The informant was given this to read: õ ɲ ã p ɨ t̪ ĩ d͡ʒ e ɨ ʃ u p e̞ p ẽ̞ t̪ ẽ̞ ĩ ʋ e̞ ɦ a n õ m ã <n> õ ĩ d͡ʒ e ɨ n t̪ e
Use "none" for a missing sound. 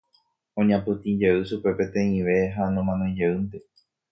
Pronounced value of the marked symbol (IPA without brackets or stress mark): n